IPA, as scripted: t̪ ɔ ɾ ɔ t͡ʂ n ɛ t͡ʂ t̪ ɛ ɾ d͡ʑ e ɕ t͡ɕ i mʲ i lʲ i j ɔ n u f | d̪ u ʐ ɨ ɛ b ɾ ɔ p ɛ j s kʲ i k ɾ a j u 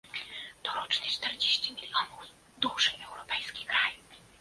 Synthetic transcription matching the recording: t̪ ɔ ɾ ɔ t͡ʂ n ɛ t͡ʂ t̪ ɛ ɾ d͡ʑ e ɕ t͡ɕ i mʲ i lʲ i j ɔ n u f | d̪ u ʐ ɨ ɛ w ɾ ɔ p ɛ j s kʲ i k ɾ a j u

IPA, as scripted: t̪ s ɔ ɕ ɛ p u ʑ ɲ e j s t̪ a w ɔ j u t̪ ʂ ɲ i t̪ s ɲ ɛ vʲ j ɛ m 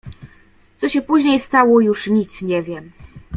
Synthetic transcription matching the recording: t̪ s ɔ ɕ ɛ p u ʑ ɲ e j s t̪ a w ɔ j u ʂ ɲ i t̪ s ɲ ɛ vʲ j ɛ m

